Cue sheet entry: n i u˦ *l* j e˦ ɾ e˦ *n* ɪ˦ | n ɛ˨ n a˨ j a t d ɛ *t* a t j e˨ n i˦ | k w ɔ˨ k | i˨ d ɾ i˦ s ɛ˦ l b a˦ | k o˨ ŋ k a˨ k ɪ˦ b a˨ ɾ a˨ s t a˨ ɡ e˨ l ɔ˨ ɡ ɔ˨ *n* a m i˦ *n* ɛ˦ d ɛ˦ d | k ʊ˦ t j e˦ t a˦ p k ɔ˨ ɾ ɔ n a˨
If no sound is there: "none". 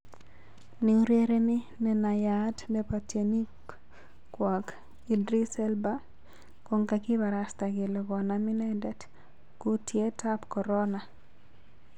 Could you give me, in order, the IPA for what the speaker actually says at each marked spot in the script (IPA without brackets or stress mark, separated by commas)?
ɾ, n, p, n, n